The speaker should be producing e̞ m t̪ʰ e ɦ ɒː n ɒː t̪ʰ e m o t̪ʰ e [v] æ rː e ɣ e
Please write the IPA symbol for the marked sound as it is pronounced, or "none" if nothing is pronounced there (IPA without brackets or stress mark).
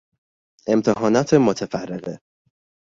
f